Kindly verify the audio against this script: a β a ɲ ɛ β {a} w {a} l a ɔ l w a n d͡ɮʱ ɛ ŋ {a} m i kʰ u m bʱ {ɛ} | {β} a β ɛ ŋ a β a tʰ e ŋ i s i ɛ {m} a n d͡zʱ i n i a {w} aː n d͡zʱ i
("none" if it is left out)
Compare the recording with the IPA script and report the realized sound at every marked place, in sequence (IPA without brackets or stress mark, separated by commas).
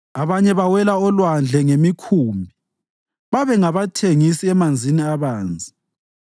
a, ɛ, e, i, β, m, β